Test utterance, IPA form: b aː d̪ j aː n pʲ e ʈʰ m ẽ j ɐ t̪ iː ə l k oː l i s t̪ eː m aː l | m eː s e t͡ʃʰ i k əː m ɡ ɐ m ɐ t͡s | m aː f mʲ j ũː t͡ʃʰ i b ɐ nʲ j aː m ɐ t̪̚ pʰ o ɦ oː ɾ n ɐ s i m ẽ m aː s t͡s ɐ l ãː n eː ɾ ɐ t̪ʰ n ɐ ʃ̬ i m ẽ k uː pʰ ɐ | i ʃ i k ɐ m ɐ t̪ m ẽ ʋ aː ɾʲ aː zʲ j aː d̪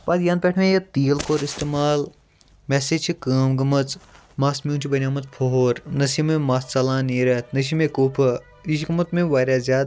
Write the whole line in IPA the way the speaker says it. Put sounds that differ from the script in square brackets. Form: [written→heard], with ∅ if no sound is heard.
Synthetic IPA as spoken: b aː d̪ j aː n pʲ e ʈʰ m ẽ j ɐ t̪ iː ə l k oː [l→ɾ] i s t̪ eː m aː l | m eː s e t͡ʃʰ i k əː m ɡ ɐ m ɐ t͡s | m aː [f→s] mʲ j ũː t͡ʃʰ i b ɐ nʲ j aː m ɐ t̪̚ pʰ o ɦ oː ɾ n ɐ s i m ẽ m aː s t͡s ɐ l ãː n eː ɾ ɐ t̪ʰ n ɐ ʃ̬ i m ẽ k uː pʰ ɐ | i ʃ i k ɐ m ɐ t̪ m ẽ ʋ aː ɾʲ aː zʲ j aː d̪